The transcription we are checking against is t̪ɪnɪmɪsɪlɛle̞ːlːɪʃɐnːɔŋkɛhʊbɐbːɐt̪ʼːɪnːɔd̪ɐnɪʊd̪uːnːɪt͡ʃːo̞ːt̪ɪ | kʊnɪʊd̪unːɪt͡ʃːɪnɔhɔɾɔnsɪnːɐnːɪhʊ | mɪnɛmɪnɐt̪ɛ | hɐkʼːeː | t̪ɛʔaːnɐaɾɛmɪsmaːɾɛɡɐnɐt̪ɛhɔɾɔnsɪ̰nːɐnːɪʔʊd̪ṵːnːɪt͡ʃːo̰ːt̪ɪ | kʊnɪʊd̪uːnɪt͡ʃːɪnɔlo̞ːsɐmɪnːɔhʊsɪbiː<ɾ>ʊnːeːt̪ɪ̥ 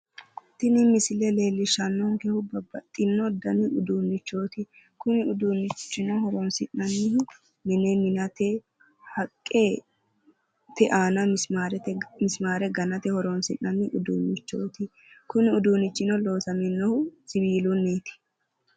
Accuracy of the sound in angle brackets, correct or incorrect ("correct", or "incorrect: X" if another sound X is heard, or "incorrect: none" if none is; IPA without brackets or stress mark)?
incorrect: l